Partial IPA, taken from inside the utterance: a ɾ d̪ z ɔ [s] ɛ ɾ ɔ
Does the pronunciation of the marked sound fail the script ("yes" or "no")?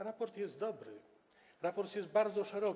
yes